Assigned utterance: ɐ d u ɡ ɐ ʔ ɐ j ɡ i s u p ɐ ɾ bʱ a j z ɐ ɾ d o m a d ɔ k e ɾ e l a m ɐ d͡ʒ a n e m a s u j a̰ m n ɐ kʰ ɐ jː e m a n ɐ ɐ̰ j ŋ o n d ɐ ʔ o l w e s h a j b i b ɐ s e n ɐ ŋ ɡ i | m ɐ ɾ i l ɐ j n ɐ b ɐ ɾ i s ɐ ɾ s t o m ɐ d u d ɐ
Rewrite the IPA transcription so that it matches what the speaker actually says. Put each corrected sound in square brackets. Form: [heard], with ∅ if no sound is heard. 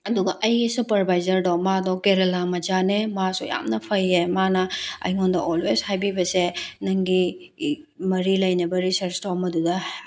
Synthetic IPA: ɐ d u ɡ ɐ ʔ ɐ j ɡ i s u p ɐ ɾ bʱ a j z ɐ ɾ d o m a d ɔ k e ɾ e l a m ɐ d͡ʒ a n e m a s u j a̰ m n ɐ [pʰ] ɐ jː e m a n ɐ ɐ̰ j ŋ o n d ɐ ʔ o l w e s h a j b i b ɐ s e n ɐ ŋ ɡ i | m ɐ ɾ i l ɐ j n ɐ b ɐ ɾ i s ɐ ɾ s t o m ɐ d u d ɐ